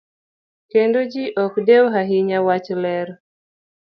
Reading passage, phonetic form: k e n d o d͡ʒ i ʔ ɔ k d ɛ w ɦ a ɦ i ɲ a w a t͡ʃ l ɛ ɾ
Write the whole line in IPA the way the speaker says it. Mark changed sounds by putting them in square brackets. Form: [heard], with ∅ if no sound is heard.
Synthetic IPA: k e n d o d͡ʒ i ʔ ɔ k d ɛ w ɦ a ɦ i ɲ a w a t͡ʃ l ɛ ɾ